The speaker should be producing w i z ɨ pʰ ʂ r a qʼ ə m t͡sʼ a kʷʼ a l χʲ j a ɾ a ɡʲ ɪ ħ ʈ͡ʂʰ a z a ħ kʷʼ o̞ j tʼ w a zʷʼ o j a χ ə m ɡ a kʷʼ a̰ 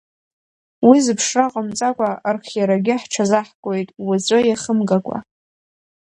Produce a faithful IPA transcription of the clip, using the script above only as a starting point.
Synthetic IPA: w i z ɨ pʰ ʂ r a qʼ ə m t͡sʼ a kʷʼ a r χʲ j a ɾ a ɡʲ ɪ ħ ʈ͡ʂʰ a z a ħ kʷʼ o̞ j tʼ w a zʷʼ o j a χ ə m ɡ a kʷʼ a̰